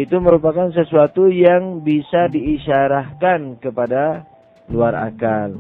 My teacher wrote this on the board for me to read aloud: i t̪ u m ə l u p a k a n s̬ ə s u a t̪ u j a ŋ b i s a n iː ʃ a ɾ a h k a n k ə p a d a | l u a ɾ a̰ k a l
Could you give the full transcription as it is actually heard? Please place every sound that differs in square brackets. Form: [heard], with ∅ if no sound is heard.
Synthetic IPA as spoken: i t̪ u m ə [ɾ] u p a k a n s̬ ə s u a t̪ u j a ŋ b i s a [d] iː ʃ a ɾ a h k a n k ə p a d a | l u a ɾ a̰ k a l